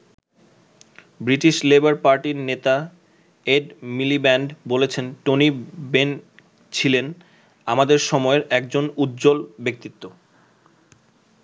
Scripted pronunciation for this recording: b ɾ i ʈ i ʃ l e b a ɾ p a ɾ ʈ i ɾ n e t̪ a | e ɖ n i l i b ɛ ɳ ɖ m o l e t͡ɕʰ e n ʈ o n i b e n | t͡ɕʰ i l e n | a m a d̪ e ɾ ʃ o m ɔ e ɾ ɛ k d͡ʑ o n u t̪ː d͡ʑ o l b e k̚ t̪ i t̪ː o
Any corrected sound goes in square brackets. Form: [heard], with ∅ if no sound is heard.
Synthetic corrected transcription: b ɾ i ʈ i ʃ l e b a ɾ p a ɾ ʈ i ɾ n e t̪ a | e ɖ [m] i l i b ɛ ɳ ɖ [b] o l e t͡ɕʰ e n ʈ o n i b e n | t͡ɕʰ i l e n | a m a d̪ e ɾ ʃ [ɔ] m ɔ e ɾ ɛ k d͡ʑ o n u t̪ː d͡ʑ o l b e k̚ t̪ i t̪ː o